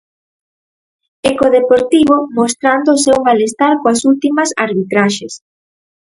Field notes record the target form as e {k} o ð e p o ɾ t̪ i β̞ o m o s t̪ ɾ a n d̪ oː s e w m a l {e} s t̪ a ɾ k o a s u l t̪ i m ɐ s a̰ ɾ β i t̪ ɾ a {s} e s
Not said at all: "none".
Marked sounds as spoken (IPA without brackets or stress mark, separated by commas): k, e, ʃ